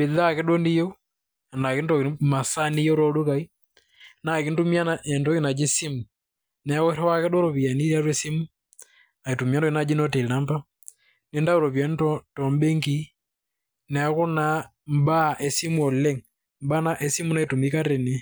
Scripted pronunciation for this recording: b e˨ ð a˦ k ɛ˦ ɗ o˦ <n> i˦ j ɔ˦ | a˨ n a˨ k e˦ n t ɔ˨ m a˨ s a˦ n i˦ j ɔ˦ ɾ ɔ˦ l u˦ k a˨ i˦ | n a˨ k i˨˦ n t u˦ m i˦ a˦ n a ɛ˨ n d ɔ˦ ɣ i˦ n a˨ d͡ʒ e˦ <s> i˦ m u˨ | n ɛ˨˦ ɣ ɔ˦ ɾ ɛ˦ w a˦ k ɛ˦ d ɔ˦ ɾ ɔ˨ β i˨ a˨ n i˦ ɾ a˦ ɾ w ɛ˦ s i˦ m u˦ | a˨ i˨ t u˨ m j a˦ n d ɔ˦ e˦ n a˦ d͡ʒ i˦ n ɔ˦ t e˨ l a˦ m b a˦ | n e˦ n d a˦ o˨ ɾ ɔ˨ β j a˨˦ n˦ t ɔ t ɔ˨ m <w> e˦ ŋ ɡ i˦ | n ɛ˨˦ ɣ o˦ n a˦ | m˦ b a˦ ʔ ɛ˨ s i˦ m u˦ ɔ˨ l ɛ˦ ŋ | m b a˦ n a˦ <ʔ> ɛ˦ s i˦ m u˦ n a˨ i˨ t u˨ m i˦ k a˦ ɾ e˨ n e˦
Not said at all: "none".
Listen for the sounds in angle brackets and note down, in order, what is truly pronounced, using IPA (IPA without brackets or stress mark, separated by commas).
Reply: n, s, b, ʔ